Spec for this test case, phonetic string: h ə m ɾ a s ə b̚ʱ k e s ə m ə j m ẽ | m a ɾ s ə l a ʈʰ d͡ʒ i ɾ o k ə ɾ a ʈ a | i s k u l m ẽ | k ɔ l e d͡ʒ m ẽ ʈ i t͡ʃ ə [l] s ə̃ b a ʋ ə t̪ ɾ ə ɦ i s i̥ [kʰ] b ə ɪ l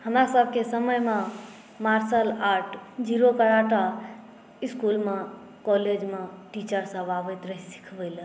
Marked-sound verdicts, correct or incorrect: incorrect: ɾ, correct

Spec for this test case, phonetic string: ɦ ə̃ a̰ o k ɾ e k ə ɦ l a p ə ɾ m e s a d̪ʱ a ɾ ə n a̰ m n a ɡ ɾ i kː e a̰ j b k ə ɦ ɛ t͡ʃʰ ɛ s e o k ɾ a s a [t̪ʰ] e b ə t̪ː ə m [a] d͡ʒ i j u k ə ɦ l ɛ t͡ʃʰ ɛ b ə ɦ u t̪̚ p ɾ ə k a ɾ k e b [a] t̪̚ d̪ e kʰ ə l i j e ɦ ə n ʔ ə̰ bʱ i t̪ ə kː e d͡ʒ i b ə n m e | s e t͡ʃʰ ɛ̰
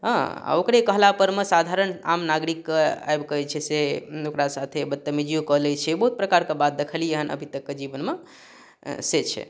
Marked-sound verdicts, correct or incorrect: correct, incorrect: i, correct

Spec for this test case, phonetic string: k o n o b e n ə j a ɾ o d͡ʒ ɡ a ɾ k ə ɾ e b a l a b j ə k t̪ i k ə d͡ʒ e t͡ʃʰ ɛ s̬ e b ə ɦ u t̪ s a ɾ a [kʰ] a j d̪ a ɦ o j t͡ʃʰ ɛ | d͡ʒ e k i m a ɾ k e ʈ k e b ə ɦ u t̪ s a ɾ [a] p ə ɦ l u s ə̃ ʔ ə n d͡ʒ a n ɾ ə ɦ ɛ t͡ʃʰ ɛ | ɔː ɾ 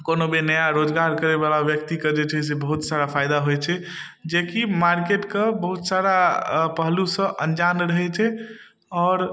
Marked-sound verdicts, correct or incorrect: incorrect: pʰ, correct

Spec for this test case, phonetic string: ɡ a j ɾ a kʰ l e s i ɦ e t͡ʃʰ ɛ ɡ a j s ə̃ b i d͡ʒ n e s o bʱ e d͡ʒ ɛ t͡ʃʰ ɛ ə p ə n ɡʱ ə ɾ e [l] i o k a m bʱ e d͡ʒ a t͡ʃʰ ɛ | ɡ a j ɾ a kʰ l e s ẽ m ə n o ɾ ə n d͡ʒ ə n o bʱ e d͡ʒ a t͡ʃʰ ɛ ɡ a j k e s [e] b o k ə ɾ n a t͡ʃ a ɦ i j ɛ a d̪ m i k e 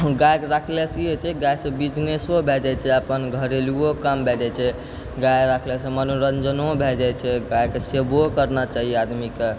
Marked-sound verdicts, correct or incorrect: correct, correct

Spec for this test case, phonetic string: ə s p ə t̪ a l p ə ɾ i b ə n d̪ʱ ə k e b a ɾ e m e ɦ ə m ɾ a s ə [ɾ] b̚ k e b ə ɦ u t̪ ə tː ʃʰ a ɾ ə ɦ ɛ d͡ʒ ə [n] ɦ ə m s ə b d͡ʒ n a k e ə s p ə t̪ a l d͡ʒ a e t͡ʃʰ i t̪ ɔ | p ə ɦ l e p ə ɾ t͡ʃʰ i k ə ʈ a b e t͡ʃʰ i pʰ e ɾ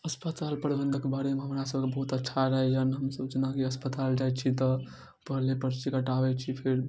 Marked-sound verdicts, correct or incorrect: incorrect: none, correct

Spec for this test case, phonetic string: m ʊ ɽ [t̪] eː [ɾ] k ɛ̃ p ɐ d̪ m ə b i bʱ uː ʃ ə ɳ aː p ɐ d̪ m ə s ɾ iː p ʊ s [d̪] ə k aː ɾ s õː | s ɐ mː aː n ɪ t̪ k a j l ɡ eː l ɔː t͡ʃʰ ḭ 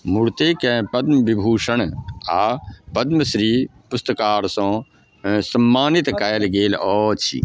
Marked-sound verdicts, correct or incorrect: correct, incorrect: none, incorrect: t̪

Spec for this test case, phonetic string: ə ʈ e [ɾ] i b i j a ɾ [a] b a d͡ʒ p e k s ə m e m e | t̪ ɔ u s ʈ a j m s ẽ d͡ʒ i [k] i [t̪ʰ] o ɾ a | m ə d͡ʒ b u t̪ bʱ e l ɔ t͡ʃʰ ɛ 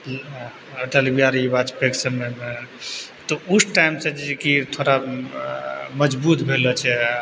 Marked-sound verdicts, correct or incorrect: incorrect: l, incorrect: i, correct, correct

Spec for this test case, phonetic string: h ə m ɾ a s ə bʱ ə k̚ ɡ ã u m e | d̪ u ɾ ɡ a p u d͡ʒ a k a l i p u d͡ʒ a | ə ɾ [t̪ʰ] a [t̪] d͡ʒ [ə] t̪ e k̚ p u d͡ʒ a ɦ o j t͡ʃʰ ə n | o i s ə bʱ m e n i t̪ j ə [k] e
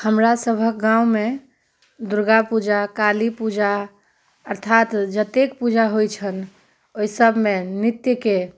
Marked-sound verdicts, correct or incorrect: correct, correct, correct, correct

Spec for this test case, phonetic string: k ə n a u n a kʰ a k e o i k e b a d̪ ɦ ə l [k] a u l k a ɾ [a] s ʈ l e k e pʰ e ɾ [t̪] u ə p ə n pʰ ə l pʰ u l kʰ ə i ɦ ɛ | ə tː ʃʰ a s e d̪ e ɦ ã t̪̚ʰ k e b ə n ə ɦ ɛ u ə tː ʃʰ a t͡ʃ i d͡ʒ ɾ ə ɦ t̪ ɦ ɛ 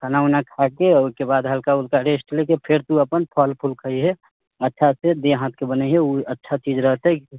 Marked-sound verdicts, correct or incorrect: correct, incorrect: e, correct

